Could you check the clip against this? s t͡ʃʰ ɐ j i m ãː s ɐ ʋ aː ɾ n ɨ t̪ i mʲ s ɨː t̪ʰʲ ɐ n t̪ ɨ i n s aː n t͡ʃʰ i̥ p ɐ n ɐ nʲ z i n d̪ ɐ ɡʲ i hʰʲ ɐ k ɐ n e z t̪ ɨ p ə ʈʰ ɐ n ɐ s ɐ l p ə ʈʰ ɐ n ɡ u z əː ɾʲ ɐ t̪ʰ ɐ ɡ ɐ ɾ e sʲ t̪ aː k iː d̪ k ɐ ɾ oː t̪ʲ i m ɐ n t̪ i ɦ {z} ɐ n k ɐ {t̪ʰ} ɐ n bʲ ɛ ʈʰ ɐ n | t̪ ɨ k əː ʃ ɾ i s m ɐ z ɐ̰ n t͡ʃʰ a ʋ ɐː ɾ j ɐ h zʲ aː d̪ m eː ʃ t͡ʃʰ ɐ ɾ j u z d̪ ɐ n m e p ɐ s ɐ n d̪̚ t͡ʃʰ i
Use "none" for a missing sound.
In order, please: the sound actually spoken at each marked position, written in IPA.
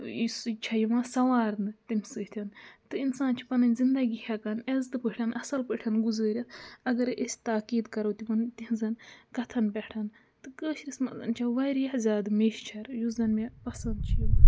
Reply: z, t̪ʰ

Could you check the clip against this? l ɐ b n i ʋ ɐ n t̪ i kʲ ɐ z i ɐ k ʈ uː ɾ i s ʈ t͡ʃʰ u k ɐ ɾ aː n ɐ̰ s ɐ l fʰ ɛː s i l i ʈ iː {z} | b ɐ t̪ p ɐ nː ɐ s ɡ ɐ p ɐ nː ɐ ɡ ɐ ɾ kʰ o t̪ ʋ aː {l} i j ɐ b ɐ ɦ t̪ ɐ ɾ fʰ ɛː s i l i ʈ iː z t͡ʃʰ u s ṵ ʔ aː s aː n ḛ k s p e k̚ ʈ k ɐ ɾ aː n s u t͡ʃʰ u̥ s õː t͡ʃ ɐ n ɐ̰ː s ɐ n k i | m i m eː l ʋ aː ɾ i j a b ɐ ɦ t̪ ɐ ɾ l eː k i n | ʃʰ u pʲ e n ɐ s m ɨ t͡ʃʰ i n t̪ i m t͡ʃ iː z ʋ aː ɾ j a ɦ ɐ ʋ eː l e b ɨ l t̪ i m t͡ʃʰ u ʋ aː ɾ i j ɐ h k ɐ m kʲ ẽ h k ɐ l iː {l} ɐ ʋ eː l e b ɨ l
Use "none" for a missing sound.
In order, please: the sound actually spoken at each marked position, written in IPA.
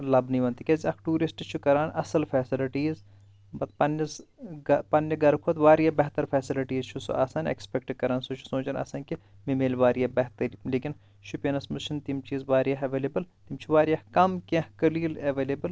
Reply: z, ɾ, l

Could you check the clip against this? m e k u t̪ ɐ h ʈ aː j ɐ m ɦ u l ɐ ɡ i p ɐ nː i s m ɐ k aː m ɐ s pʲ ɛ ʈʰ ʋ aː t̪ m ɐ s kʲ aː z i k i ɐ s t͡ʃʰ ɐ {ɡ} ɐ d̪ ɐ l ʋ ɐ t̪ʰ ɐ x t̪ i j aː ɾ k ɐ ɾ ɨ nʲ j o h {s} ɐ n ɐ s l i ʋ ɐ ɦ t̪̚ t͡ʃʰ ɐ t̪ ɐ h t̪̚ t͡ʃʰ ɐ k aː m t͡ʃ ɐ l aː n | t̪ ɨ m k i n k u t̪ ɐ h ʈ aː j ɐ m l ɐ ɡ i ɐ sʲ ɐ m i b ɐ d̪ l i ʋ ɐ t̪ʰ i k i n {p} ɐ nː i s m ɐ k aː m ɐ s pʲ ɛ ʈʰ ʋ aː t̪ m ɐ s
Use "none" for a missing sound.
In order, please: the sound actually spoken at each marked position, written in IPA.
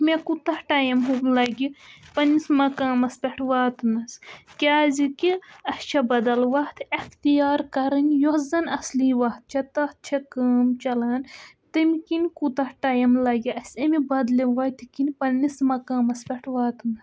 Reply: b, z, p

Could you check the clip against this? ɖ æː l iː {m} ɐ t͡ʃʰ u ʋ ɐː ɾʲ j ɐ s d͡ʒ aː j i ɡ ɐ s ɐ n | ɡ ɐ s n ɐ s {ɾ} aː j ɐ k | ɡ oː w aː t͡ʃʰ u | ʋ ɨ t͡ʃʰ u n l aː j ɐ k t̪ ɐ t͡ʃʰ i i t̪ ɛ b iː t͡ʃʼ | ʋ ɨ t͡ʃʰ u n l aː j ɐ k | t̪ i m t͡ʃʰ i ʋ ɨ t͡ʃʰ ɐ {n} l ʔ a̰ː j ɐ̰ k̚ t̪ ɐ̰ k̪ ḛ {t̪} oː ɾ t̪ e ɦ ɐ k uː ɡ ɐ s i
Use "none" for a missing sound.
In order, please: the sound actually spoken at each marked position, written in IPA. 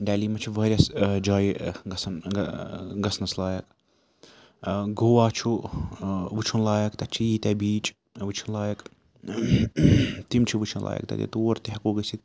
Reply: m, l, n, t̪

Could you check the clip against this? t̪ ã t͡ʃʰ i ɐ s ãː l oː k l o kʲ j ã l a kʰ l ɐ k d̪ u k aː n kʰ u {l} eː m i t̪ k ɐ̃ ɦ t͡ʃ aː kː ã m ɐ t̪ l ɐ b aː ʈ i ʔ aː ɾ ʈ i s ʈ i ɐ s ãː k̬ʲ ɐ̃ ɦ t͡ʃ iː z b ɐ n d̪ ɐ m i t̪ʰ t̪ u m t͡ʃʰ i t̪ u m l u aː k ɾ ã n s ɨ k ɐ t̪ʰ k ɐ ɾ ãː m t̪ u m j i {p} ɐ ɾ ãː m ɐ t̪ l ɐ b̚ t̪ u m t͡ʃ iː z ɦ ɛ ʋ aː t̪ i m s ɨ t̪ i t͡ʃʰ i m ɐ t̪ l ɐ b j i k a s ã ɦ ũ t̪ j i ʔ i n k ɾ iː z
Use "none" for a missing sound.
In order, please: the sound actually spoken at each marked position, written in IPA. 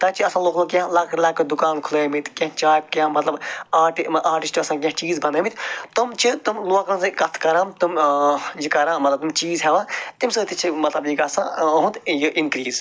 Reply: l, k

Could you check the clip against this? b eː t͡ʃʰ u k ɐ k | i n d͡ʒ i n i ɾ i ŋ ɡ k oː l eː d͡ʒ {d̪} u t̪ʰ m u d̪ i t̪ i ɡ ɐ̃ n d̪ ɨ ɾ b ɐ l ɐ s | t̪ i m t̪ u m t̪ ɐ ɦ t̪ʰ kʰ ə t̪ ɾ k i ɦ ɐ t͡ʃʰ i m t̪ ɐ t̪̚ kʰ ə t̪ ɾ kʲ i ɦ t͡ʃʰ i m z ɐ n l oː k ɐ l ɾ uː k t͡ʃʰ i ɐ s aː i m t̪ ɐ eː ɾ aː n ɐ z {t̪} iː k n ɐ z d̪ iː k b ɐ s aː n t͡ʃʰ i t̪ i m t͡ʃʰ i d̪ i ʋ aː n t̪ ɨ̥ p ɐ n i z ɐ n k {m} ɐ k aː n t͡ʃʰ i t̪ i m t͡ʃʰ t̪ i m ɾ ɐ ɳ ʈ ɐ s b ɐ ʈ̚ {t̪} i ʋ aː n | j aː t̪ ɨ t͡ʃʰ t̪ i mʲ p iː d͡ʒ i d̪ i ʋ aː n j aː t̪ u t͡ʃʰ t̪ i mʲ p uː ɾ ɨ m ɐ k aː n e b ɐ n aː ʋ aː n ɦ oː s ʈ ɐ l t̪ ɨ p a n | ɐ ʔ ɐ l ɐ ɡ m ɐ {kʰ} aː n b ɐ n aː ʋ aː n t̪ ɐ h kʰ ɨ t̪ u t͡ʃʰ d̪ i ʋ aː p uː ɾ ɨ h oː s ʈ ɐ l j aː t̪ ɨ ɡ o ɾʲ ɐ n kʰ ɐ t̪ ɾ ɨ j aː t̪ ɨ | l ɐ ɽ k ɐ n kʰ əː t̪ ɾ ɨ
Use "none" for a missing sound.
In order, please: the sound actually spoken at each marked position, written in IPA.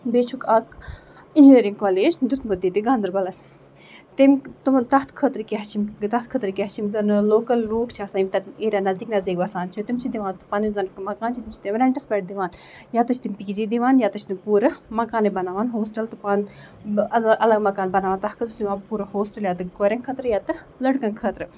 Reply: d̪, d̪, m, d̪, k

